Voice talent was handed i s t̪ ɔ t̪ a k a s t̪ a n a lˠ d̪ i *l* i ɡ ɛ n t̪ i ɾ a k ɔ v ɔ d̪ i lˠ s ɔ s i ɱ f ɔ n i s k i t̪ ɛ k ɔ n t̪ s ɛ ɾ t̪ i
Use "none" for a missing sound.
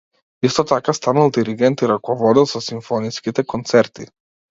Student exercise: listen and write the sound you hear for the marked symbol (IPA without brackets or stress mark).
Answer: ɾ